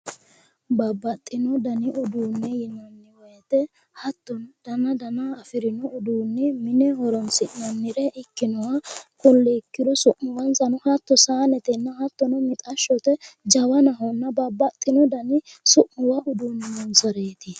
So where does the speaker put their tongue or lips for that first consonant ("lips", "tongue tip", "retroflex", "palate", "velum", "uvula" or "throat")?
lips